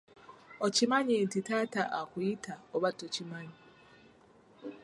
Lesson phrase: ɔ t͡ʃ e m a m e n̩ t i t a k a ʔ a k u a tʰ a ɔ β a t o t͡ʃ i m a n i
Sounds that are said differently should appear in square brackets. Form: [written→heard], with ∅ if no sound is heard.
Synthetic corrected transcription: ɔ t͡ʃ [e→i] m a [m→ɲ] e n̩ t i t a [k→t] a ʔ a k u [a→i] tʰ a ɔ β a t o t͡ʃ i m a [n→ɲ] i